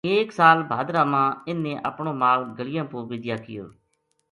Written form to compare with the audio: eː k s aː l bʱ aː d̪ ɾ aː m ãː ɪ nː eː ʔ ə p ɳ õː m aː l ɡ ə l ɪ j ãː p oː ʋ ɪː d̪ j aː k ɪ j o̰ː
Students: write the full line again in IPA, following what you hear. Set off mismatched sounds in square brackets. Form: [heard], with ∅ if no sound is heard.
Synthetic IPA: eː k s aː l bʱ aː d̪ ɾ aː m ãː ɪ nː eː ʔ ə p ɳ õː m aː l ɡ ə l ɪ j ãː p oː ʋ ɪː d̪ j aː k ɪ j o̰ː